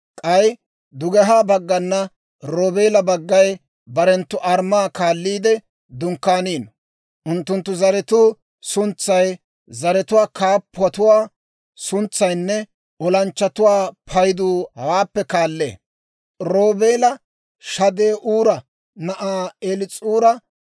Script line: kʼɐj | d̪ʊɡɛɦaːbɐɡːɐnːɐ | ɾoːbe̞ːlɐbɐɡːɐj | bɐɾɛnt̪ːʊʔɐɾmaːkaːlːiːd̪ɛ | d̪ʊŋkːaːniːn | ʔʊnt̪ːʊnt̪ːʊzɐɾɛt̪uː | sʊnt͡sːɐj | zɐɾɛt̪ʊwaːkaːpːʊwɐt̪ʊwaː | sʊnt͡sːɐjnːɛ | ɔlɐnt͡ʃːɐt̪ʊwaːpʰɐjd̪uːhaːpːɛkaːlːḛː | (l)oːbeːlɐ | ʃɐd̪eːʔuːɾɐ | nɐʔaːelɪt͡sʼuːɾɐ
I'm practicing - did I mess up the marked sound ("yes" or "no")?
yes